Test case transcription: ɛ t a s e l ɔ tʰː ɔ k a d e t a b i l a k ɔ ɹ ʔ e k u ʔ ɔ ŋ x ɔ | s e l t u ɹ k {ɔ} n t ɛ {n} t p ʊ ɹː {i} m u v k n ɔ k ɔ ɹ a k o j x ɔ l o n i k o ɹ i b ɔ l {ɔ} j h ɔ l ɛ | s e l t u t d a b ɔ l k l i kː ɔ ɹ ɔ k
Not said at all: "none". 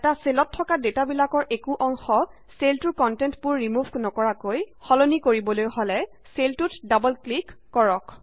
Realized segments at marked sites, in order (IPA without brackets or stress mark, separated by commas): ɔ, n, i, o